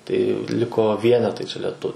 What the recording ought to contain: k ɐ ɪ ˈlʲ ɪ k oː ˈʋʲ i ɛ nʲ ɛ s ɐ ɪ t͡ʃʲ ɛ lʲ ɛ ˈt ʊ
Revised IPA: t ɐ ɪ ˈlʲ ɪ k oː ˈʋʲ i ɛ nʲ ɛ t ɐ ɪ t͡ʃʲ ɛ lʲ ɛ ˈt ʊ